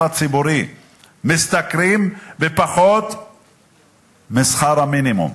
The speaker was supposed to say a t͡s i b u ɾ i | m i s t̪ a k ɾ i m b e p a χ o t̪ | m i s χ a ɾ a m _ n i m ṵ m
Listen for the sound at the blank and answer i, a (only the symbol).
i